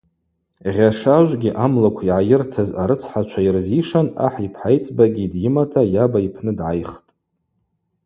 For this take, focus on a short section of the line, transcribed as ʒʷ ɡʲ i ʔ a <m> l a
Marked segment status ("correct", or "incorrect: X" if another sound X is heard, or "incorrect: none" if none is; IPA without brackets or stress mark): correct